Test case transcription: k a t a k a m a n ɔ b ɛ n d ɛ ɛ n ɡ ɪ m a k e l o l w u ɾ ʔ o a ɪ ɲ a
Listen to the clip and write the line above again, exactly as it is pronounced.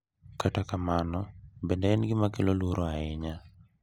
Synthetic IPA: k a t a k a m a n ɔ b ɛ n d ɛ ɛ n ɡ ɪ m a k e l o l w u ɾ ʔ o a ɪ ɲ a